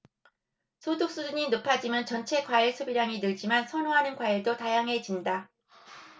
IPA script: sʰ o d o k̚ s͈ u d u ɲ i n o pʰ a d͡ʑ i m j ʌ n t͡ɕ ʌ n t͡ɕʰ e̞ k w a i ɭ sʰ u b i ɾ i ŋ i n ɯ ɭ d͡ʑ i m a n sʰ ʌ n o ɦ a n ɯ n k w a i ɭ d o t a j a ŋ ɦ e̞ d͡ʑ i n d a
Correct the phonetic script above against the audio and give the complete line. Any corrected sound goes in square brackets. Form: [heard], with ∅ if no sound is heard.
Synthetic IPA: sʰ o d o k̚ s͈ u d u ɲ i n o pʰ a d͡ʑ i m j ʌ n t͡ɕ ʌ n t͡ɕʰ e̞ k w a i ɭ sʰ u b i ɾ [a] ŋ i n ɯ ɭ d͡ʑ i m a n sʰ ʌ n o ɦ a n ɯ n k w a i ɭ d o t a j a ŋ ɦ e̞ d͡ʑ i n d a